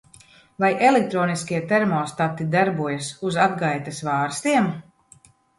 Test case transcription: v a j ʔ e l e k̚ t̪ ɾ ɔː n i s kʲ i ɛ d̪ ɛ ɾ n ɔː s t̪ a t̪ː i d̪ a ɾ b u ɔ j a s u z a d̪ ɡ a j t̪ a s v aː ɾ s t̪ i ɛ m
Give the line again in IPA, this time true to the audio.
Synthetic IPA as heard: v a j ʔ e l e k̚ t̪ ɾ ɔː n i s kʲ i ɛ t̪ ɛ ɾ m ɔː s t̪ a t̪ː i d̪ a ɾ b u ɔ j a s u z a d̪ ɡ a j t̪ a s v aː ɾ s t̪ i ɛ m